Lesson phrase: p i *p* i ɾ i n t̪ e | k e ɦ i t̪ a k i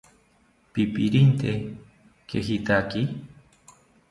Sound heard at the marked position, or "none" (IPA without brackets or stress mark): p